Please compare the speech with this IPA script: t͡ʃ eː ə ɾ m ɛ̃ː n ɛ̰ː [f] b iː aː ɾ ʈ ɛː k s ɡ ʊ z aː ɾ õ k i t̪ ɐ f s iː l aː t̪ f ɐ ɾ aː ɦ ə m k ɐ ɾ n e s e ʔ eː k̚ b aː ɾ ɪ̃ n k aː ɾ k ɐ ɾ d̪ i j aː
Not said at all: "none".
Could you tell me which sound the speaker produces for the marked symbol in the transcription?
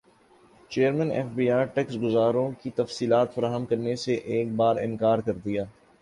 f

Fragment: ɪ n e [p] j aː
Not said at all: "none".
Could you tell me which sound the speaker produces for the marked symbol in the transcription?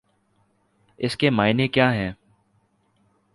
k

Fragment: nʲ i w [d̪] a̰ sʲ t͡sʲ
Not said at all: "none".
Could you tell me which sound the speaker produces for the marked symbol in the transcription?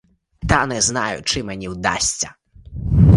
d̪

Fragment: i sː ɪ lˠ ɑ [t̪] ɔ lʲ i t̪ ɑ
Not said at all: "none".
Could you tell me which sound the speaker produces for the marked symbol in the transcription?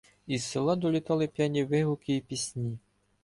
d̪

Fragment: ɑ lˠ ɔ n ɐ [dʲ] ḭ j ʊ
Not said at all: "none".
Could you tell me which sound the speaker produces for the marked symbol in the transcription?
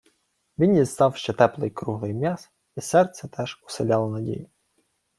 dʲ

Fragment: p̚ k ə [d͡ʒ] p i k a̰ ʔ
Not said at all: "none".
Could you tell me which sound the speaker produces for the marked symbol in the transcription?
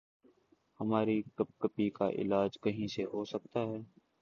none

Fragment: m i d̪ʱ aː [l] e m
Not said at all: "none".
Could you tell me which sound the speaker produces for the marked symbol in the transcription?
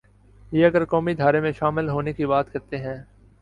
ɾ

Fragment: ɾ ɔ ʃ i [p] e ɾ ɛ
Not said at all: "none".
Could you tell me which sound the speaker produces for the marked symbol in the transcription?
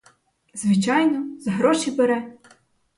b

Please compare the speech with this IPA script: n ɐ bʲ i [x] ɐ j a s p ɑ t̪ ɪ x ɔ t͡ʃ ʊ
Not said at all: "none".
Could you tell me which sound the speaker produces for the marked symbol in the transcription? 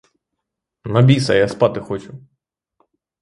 s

